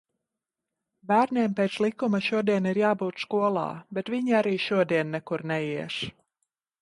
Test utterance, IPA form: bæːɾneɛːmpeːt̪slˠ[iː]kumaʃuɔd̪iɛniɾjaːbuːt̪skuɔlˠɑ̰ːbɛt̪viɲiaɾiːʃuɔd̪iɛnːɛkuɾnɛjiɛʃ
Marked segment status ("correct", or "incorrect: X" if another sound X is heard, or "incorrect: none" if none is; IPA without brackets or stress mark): incorrect: i